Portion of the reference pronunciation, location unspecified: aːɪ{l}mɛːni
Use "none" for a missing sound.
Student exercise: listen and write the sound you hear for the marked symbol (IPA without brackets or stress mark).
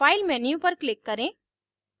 l